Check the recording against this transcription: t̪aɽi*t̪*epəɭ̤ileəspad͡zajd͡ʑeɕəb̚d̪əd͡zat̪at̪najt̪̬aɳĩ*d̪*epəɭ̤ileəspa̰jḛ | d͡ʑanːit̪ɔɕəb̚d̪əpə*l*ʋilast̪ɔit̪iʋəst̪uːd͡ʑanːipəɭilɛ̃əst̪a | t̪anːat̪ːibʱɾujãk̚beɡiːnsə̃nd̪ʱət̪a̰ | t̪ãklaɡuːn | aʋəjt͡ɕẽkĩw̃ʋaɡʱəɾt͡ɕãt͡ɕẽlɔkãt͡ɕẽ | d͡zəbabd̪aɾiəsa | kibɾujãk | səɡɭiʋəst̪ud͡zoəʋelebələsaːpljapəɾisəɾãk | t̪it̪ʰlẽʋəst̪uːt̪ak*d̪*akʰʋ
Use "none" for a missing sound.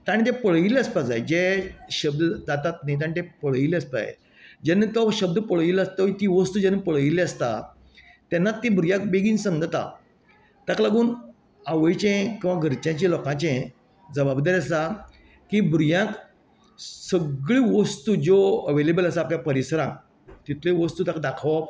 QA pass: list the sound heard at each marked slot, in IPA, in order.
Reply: t̪, t̪, ɭ, d̪

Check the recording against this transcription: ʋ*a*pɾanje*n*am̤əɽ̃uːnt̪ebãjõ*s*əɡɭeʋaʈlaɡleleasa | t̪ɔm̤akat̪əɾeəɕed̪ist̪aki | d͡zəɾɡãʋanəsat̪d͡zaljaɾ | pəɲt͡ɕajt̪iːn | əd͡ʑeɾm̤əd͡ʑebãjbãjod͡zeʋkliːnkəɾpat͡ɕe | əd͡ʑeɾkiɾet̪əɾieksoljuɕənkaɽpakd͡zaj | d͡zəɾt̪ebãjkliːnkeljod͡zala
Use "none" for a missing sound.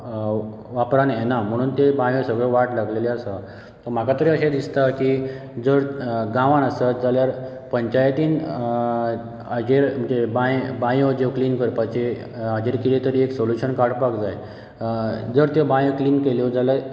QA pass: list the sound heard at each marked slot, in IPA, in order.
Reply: a, n, s

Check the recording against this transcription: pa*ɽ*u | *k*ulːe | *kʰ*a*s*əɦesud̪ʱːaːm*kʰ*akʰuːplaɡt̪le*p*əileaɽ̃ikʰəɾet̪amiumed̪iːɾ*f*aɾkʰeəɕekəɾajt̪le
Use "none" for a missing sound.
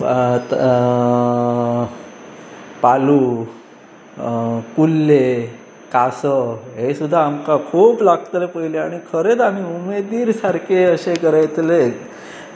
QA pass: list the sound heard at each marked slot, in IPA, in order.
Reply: l, k, k, s, k, p, s

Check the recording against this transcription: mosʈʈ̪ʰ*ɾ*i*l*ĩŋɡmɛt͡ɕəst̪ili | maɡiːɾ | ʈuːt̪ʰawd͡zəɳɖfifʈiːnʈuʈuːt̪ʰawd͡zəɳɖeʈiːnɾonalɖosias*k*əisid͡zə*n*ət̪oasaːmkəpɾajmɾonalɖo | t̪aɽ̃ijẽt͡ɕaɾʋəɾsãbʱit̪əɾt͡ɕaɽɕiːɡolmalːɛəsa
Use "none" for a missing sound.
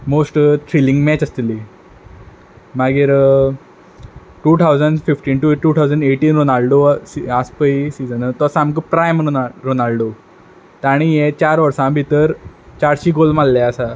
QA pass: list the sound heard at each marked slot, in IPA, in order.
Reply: ɾ, l, p, n

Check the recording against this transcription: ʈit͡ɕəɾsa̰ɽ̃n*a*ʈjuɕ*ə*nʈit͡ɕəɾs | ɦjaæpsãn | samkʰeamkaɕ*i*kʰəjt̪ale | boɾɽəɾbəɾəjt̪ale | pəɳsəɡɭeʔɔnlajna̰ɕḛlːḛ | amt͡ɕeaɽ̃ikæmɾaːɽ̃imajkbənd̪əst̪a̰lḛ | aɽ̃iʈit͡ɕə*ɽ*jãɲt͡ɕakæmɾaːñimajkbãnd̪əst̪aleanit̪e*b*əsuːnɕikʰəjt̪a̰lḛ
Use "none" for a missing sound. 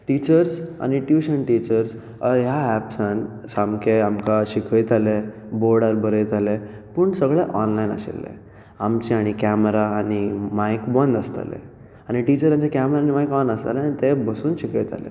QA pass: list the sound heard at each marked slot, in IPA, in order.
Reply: i, ə, i, ɾ, b

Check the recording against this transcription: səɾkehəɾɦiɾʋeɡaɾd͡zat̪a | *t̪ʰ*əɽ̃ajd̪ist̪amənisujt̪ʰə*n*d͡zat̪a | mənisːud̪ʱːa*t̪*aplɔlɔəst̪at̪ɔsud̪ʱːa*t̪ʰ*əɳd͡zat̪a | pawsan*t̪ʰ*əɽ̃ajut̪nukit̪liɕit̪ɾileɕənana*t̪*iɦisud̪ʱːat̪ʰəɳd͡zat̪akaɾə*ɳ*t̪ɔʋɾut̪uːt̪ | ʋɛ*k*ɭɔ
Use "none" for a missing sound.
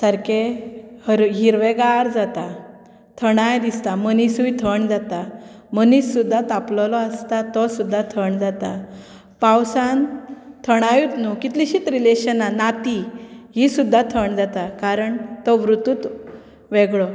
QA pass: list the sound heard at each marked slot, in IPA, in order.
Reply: t̪ʰ, ɳ, t̪, t̪ʰ, t̪ʰ, t̪, ɳ, ɡ

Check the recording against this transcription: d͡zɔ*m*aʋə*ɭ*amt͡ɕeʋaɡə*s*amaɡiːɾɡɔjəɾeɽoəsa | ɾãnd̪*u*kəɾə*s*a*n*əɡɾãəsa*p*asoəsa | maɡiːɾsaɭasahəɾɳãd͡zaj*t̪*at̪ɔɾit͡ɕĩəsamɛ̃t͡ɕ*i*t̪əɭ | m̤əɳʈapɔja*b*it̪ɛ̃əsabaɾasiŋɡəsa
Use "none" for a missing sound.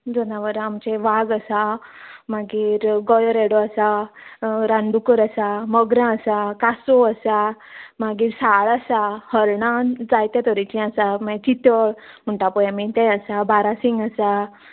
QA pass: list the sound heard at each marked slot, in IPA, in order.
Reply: n, ɾ, s, u, s, m, k, t̪, i, m

